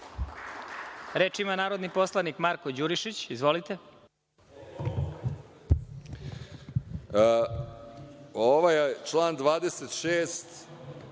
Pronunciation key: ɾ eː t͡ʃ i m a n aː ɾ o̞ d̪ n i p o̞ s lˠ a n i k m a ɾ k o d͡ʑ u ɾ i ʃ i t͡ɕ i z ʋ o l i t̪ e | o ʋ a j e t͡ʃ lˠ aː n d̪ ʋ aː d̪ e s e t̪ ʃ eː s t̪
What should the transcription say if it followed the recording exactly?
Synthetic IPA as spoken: ɾ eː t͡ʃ i m a n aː ɾ o̞ d̪ n i p o̞ s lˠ a n i k m a ɾ k o d͡ʑ u ɾ i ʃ i t͡ɕ i z ʋ o l i t̪ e | o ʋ a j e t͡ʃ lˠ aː n d̪ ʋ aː d̪ e s e t̪ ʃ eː s t̪